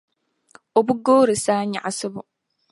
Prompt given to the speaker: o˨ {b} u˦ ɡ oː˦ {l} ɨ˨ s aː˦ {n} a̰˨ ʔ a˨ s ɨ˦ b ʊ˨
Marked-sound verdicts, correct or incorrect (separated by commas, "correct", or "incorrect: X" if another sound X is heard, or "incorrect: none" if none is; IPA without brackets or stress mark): correct, incorrect: ɾ, incorrect: ɲ